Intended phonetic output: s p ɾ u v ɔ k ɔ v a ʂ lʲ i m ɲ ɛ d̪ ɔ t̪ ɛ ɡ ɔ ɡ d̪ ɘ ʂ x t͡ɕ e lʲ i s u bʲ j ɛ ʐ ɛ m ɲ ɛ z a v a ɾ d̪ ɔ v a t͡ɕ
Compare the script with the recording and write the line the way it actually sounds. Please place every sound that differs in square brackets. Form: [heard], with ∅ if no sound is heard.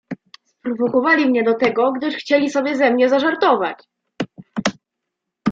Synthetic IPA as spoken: s p ɾ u v ɔ k ɔ v a [∅] lʲ i m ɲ ɛ d̪ ɔ t̪ ɛ ɡ ɔ ɡ d̪ ɘ ʂ x t͡ɕ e lʲ i s [ɔ] bʲ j ɛ [z] ɛ m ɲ ɛ z a [ʐ] a ɾ [t̪] ɔ v a t͡ɕ